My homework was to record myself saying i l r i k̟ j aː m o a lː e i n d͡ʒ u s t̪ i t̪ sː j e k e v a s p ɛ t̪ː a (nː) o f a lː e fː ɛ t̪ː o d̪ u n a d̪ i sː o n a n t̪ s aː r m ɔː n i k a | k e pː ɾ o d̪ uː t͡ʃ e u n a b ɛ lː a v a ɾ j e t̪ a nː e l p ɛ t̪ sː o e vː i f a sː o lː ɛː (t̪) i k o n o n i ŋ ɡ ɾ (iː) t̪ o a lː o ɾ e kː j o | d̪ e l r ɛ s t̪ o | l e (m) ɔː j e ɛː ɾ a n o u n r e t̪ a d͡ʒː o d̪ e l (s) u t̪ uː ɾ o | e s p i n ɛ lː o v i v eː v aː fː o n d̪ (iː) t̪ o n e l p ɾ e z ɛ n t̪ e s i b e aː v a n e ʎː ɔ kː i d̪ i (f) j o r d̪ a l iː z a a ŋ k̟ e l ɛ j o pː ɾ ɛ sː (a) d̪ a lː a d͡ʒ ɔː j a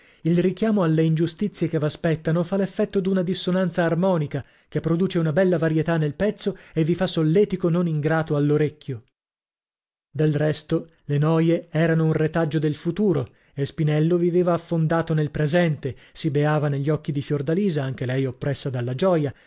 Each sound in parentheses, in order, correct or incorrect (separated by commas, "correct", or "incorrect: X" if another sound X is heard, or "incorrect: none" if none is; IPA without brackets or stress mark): incorrect: n, correct, incorrect: aː, incorrect: n, incorrect: f, incorrect: aː, correct, correct